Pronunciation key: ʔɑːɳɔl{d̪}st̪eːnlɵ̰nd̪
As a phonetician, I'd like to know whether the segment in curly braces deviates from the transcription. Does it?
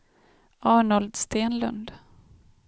no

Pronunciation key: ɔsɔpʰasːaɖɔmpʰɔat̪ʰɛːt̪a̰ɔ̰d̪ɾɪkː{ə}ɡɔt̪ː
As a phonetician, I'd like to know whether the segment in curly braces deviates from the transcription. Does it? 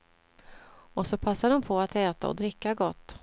yes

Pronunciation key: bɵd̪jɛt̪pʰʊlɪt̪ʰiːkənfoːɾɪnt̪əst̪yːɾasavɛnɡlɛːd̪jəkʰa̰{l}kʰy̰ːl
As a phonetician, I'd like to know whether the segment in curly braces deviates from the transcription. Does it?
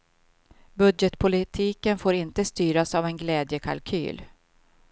no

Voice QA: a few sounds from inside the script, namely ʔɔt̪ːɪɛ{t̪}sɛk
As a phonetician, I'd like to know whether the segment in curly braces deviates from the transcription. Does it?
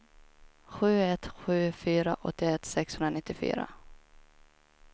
no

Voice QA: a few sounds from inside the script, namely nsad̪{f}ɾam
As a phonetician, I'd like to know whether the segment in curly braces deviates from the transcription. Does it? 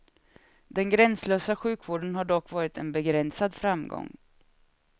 no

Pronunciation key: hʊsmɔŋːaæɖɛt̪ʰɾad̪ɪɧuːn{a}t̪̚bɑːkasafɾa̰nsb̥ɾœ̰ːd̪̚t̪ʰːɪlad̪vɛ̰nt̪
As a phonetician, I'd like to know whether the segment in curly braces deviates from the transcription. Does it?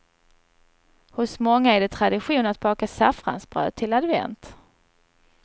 no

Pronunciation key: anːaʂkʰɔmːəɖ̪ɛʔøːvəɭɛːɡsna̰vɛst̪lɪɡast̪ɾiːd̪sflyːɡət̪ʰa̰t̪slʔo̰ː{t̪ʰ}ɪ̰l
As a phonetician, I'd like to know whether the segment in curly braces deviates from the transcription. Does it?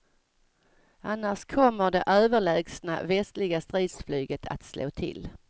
no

